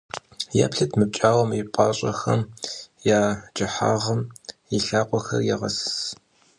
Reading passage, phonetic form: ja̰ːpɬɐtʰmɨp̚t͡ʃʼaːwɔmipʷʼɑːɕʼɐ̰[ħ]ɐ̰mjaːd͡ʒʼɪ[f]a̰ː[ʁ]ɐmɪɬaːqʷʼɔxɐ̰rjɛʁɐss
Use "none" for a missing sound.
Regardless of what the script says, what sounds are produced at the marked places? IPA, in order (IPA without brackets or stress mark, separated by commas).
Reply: x, ħ, ʁ